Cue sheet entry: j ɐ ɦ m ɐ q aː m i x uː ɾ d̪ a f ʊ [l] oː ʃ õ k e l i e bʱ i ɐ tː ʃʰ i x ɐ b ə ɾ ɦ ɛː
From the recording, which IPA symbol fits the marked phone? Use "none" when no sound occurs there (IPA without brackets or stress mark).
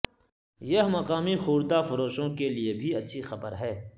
ɾ